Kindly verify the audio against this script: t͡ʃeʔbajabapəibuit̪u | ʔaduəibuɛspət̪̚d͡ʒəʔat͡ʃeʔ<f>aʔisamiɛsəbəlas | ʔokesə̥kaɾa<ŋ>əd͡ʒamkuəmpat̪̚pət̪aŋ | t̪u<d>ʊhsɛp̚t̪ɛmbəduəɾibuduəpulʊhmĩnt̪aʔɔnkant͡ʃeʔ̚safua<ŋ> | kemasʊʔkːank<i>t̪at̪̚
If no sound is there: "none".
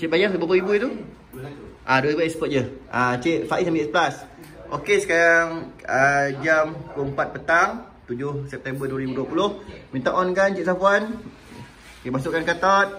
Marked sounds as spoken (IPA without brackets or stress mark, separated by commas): f, ŋ, d͡ʒ, n, a